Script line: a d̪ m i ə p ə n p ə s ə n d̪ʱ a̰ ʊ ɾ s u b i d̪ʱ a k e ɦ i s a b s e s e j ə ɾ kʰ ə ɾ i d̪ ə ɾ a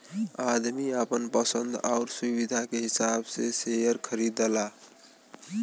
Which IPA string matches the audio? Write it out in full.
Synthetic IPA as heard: a d̪ m i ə p ə n p ə s ə n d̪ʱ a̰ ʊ ɾ s u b i d̪ʱ a k e ɦ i s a b s e s e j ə ɾ kʰ ə ɾ i d̪ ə l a